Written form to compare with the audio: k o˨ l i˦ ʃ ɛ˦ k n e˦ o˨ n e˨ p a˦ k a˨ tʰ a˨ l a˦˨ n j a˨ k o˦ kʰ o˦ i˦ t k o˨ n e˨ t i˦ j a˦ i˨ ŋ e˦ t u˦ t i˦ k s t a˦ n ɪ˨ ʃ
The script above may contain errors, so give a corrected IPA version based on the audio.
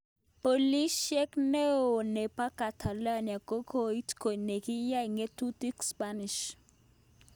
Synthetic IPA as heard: p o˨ l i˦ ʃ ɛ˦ k n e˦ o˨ n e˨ p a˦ k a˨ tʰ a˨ l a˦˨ n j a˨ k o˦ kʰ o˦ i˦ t k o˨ n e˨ k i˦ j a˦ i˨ ŋ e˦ t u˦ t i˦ k s p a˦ n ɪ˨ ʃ